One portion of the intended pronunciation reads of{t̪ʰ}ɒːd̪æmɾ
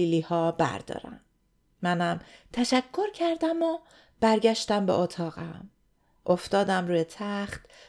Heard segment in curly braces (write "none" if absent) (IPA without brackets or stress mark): t̪